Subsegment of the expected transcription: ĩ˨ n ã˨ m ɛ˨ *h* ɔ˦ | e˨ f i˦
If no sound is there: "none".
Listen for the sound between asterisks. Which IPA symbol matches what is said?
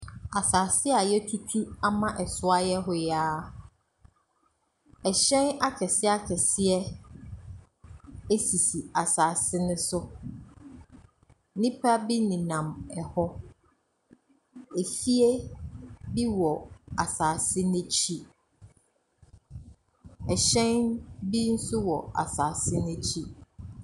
h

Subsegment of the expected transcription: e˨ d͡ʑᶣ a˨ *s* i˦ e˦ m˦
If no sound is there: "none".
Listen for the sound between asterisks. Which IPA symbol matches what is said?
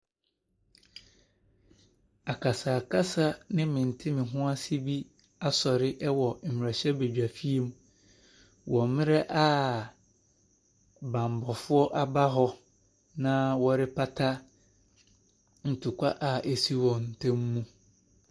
f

